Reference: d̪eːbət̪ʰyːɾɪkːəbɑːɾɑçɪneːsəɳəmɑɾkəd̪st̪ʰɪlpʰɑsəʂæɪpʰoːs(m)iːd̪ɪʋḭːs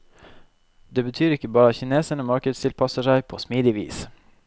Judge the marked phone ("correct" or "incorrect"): correct